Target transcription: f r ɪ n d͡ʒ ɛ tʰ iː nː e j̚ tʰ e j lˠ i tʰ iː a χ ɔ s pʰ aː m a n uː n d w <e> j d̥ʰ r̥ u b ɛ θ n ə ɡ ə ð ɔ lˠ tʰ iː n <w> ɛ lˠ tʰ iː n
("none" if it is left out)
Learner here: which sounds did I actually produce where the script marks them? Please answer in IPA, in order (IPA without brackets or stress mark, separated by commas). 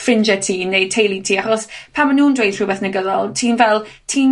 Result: e, v